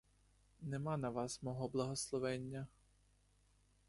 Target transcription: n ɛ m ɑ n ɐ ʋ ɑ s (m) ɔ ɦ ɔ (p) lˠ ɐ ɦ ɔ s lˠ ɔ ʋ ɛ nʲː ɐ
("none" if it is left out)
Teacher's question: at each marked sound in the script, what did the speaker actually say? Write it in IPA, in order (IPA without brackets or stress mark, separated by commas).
m, b